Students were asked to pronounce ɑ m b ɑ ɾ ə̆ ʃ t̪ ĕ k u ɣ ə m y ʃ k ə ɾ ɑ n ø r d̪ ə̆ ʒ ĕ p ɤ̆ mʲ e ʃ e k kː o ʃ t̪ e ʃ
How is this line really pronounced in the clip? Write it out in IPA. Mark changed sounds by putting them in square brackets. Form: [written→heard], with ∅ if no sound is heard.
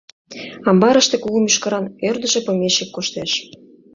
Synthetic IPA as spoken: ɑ m b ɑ ɾ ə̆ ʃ t̪ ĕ k u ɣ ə m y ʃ k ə ɾ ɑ n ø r d̪ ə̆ ʒ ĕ p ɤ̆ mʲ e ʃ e k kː o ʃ t̪ e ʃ